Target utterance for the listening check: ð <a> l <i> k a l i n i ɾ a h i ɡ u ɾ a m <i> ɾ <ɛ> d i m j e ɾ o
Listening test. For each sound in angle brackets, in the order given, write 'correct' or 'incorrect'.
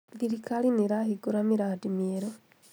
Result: incorrect, correct, correct, incorrect

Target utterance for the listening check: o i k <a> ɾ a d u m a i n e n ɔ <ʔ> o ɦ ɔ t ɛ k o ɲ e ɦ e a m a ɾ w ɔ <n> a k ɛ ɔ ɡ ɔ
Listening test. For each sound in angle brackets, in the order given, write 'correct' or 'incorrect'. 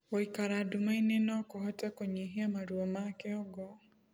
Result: correct, incorrect, incorrect

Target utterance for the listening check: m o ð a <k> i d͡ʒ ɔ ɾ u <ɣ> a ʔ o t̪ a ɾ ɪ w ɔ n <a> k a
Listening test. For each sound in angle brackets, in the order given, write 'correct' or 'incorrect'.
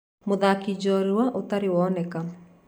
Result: correct, incorrect, incorrect

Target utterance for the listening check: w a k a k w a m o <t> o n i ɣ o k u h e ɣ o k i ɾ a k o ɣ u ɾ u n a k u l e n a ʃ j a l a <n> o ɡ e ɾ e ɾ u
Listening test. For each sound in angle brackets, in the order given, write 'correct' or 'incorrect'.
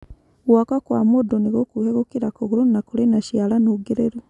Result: incorrect, correct

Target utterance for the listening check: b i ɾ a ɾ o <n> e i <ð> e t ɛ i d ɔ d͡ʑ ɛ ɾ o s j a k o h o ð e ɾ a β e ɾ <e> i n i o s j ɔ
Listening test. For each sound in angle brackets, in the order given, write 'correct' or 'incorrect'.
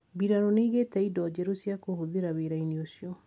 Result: correct, incorrect, incorrect

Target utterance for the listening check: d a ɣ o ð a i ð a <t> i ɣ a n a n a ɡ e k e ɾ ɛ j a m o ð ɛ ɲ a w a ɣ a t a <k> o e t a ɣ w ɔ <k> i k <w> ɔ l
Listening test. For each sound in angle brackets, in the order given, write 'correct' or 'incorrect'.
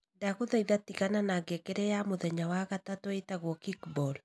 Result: correct, incorrect, correct, incorrect

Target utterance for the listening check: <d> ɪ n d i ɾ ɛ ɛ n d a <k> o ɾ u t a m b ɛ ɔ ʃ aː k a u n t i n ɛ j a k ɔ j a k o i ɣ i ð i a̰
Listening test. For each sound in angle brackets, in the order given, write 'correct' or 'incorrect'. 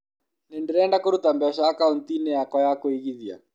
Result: incorrect, correct

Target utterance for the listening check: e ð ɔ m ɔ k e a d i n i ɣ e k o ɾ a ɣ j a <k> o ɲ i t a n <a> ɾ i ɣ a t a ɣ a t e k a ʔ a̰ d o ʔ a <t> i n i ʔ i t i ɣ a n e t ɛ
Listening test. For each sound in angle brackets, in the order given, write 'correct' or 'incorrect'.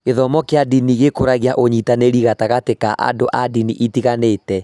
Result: incorrect, incorrect, incorrect

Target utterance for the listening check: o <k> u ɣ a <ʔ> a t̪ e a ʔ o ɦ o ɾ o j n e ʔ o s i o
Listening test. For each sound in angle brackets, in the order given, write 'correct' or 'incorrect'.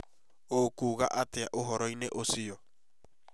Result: correct, correct

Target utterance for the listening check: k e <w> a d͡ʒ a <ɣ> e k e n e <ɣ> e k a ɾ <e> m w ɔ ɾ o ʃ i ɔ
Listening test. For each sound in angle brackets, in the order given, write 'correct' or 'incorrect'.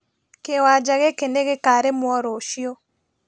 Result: correct, correct, correct, correct

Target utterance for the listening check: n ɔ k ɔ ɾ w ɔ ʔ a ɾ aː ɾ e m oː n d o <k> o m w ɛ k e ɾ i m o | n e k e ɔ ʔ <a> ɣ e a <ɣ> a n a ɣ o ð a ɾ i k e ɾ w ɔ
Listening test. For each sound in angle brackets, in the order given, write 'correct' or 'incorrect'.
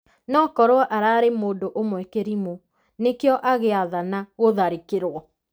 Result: incorrect, correct, incorrect

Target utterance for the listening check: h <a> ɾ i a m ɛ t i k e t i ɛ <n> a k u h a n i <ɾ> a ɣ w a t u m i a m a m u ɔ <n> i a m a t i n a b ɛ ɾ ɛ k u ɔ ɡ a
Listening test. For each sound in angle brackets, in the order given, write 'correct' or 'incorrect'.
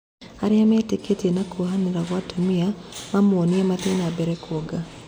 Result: correct, correct, correct, correct

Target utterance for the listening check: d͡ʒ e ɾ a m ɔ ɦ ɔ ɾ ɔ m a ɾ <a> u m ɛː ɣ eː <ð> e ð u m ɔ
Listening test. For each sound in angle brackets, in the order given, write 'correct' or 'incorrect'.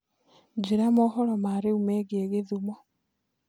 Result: incorrect, incorrect

